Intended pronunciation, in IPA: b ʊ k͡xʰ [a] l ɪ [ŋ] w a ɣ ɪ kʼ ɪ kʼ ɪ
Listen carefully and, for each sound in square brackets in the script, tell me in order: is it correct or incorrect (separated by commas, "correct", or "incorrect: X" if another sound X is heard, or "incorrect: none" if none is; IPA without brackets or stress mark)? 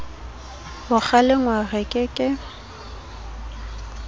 correct, correct